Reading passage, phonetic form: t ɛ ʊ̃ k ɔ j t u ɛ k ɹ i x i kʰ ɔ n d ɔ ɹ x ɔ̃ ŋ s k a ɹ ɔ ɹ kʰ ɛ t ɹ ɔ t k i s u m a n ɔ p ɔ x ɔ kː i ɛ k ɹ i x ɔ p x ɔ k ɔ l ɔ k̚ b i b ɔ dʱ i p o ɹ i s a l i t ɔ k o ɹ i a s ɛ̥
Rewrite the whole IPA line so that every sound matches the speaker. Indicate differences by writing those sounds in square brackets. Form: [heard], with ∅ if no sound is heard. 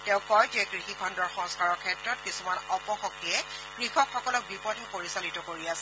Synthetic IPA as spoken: t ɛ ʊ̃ k ɔ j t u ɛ k ɹ i x i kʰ ɔ n d ɔ ɹ x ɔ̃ ŋ s k a ɹ ɔ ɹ kʰ ɛ t ɹ ɔ t k i s u m a n ɔ p ɔ x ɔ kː i ɛ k ɹ i x ɔ [k] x ɔ k ɔ l ɔ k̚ b i [p] ɔ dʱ [ɛ] p o ɹ i s a l i t ɔ k o ɹ i a s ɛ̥